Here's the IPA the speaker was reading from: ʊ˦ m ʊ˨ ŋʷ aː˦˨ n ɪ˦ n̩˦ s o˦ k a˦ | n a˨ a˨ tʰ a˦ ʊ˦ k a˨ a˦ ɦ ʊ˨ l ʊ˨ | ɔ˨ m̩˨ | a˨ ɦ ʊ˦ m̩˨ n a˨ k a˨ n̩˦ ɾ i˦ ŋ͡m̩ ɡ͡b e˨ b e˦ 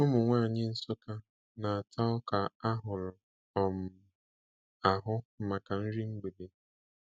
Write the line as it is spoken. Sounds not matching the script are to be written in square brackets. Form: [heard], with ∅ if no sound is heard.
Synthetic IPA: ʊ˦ m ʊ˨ ŋʷ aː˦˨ [ɲ] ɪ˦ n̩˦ s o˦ k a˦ | n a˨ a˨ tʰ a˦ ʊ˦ k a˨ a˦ ɦ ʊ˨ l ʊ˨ | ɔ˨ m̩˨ | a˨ ɦ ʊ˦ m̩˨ [m] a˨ k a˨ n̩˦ ɾ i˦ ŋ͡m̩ ɡ͡b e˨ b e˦